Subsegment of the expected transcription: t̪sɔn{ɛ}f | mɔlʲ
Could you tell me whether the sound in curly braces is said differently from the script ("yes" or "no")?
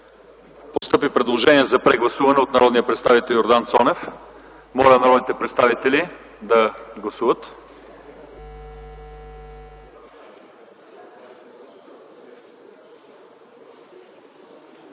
no